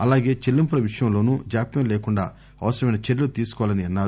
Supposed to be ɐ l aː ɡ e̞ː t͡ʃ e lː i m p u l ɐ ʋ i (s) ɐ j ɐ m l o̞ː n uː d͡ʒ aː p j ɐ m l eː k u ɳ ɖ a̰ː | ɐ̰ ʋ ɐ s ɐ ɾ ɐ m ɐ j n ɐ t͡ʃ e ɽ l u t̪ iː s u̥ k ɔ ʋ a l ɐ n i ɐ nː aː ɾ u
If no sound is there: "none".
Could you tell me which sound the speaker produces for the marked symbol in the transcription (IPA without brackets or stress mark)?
ʂ